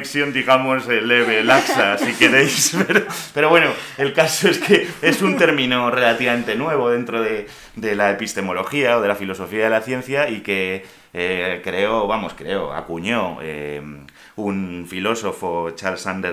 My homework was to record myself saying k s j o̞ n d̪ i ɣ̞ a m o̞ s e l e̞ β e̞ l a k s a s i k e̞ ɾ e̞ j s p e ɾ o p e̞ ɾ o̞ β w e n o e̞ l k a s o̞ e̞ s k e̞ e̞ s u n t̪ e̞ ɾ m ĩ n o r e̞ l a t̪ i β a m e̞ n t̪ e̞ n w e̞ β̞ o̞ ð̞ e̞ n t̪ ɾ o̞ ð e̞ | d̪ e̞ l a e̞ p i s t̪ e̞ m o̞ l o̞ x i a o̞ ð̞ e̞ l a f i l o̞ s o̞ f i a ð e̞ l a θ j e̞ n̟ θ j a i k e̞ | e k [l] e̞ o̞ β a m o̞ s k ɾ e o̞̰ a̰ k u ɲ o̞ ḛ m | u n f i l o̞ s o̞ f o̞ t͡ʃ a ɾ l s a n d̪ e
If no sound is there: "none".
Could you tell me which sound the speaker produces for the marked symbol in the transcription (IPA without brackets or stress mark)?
ɾ